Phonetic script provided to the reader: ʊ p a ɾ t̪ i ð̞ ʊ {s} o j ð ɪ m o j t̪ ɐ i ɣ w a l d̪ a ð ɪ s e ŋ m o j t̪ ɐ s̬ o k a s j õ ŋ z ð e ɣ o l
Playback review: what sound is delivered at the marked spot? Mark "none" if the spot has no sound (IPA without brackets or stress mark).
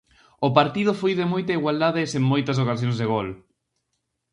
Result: f